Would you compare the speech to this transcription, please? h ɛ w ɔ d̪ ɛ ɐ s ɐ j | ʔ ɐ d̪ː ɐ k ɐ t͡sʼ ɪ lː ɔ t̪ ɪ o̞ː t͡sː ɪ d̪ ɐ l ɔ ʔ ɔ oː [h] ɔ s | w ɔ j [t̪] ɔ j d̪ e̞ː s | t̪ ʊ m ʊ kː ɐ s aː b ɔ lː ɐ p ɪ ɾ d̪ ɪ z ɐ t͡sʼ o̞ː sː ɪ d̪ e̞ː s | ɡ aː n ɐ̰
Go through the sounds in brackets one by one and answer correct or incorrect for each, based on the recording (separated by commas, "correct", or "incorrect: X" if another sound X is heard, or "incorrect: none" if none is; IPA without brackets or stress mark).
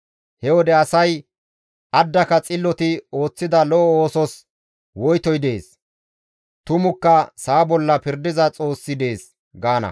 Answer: incorrect: s, correct